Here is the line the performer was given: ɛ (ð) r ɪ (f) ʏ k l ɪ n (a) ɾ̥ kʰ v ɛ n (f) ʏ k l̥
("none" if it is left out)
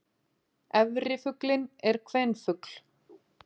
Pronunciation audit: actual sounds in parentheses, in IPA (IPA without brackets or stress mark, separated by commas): v, f, ɛ, f